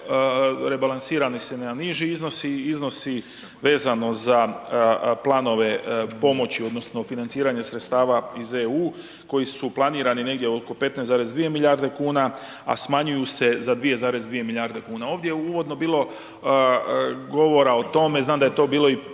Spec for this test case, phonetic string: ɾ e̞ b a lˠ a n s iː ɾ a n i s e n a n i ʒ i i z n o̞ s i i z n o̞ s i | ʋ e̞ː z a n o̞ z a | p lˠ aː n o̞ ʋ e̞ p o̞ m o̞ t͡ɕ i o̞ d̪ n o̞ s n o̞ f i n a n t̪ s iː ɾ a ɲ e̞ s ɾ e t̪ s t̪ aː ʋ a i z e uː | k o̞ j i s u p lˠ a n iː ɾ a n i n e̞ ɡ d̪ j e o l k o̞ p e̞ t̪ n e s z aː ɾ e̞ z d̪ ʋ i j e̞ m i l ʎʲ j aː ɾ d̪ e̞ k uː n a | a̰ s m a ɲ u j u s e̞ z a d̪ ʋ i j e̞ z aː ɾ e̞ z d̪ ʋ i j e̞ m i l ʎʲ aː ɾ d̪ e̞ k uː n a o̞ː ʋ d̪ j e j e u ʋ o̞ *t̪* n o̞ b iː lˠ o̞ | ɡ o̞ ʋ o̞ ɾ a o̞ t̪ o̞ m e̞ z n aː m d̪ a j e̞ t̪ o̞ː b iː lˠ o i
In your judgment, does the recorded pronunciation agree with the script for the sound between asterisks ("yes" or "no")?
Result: no